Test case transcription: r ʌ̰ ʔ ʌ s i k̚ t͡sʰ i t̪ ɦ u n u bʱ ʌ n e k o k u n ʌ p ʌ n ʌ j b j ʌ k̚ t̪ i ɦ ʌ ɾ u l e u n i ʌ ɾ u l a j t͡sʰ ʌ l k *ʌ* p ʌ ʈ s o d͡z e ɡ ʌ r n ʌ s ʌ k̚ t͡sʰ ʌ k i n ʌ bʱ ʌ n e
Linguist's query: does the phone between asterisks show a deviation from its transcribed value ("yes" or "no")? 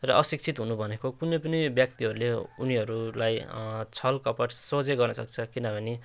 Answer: no